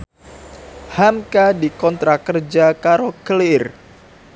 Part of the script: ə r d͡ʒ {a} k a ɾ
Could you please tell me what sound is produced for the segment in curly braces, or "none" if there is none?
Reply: a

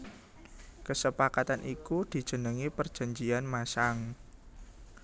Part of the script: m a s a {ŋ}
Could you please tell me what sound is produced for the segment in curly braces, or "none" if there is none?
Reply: ŋ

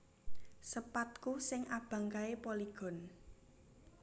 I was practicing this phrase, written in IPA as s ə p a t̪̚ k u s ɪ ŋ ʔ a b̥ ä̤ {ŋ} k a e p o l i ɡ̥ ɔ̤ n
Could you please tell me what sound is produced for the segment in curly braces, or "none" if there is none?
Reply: ŋ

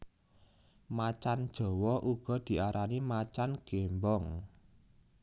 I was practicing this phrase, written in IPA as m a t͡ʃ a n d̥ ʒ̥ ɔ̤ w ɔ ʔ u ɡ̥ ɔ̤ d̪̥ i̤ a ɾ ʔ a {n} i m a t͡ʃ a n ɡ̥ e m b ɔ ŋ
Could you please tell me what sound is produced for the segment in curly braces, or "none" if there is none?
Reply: n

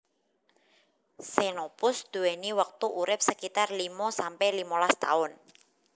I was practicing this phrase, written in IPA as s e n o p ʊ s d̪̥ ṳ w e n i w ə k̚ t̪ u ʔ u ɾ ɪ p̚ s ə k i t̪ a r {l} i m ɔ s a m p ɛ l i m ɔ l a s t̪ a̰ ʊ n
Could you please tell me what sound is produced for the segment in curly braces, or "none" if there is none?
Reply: l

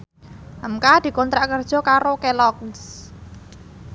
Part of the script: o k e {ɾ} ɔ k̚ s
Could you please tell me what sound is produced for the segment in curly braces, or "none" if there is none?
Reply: l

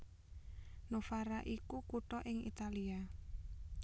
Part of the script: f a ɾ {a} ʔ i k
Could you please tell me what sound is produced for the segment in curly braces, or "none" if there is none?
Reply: a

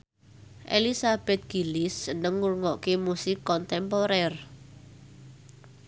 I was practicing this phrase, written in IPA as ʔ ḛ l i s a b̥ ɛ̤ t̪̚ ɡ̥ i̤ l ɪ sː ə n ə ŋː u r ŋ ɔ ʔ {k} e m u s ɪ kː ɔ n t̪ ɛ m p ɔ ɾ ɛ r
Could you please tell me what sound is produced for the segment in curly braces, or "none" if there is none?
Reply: k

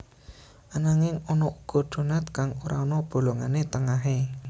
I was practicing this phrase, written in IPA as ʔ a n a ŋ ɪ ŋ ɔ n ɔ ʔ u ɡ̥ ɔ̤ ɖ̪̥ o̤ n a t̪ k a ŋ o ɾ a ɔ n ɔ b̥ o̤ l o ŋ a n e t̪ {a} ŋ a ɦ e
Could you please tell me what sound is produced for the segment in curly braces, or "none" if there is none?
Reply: ə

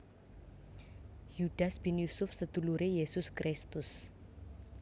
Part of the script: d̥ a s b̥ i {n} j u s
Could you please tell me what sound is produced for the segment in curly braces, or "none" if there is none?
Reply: n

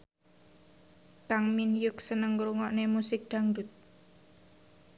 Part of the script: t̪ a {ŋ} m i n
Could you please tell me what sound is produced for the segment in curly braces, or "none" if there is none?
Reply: ŋ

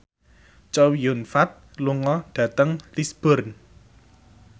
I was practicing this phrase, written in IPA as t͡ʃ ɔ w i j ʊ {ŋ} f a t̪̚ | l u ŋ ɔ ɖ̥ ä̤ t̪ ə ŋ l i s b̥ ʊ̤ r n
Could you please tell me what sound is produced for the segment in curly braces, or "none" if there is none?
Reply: n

